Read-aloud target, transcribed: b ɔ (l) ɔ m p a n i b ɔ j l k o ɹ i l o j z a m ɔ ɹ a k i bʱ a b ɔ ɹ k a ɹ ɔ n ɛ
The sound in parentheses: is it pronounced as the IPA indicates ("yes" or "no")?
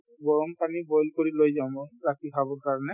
no